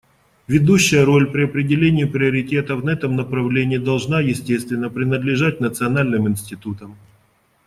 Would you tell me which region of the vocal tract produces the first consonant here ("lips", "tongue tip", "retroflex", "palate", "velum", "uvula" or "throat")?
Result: lips